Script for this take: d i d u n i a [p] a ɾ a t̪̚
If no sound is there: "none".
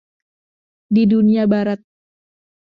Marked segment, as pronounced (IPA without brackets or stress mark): b